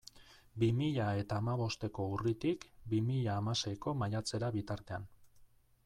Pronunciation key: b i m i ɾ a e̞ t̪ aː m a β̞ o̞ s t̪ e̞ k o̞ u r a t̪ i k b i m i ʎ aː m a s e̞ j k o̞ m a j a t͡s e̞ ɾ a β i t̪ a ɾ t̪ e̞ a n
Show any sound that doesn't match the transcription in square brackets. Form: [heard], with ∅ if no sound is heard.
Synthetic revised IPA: b i m i [ʎ] a e̞ t̪ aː m a β̞ o̞ s t̪ e̞ k o̞ u r [i] t̪ i k b i m i ʎ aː m a s e̞ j k o̞ m a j a t͡s e̞ ɾ a β i t̪ a ɾ t̪ e̞ a n